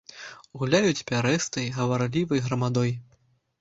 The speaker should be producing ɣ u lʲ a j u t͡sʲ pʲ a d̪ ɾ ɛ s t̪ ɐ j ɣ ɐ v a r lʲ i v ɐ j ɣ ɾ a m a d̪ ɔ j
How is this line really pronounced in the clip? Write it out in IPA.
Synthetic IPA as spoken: ɣ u lʲ a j u t͡sʲ pʲ a ɾ ɛ s t̪ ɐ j ɣ ɐ v a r lʲ i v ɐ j ɣ ɾ ɐ m a d̪ ɔ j

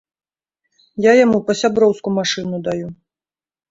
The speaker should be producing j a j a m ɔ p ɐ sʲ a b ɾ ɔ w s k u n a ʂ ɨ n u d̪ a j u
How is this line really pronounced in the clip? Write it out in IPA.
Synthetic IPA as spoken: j a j a m u p ɐ sʲ a b ɾ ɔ w s k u m a ʂ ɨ n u d̪ a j u

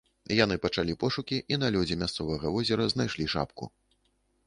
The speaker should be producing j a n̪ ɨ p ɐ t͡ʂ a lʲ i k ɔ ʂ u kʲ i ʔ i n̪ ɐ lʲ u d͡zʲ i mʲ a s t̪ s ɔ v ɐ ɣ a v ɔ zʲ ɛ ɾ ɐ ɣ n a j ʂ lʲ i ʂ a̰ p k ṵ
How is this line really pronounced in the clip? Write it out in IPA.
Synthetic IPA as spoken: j a n̪ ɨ p ɐ t͡ʂ a lʲ i p ɔ ʂ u kʲ i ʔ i n̪ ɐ lʲ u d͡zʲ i mʲ a s t̪ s ɔ v ɐ ɣ ɐ v ɔ zʲ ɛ ɾ ɐ z n a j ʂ lʲ i ʂ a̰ p k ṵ

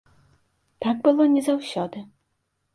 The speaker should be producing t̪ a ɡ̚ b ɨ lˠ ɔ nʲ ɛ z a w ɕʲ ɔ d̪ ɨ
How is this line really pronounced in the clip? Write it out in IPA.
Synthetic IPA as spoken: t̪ a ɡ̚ b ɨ lˠ ɔ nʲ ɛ z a w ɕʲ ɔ d̪ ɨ

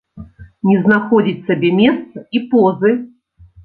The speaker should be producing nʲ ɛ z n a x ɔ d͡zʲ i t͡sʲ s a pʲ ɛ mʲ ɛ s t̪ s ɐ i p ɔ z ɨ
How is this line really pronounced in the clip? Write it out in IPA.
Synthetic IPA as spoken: nʲ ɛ z n a x ɔ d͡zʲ i t͡sʲ s a bʲ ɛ mʲ ɛ s t̪ s ɐ i p ɔ z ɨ

